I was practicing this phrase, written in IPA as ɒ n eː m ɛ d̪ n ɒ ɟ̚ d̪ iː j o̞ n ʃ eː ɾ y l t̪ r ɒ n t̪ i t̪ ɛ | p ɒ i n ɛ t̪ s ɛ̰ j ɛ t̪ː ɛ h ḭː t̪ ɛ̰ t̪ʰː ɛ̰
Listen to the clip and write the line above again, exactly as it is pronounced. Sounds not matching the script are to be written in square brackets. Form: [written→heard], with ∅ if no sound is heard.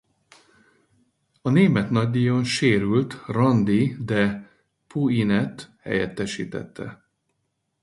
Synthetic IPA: ɒ n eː m ɛ [d̪→t̪] n ɒ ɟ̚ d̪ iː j o̞ n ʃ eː ɾ y l t̪ r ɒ n [t̪→d̪] i [t̪→d̪] ɛ | p [ɒ→u] i n ɛ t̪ [s→h] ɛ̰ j ɛ t̪ː ɛ [h→ʃ] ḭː t̪ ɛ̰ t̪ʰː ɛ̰